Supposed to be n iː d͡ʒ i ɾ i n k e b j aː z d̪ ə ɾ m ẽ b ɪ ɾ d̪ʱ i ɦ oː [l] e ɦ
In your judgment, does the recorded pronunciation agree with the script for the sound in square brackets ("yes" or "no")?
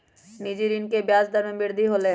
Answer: yes